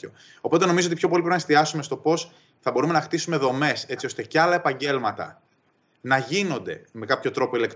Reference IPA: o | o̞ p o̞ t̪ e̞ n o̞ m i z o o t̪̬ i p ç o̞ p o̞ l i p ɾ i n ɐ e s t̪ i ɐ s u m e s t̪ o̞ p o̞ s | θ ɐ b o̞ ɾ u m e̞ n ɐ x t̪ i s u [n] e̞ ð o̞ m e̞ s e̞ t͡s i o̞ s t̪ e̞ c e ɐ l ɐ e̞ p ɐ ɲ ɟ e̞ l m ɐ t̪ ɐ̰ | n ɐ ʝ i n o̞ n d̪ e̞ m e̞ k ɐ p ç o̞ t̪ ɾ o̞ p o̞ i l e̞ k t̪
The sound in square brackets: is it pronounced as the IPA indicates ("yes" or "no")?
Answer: no